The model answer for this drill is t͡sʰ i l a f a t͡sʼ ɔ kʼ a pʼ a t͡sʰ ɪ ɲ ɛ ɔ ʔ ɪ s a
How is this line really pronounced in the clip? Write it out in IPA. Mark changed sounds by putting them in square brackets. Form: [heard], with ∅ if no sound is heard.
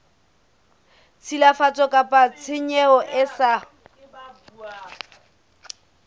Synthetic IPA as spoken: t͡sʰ i l a f a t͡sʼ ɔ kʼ a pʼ a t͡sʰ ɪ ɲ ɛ ɔ ʔ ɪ s a